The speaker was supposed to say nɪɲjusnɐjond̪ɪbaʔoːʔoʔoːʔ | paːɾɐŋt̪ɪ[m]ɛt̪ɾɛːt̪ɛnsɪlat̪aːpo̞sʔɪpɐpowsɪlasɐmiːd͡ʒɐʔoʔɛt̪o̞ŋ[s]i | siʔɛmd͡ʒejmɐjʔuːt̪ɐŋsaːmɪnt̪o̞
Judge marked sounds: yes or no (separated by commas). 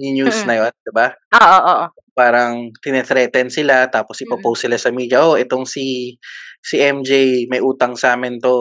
no, yes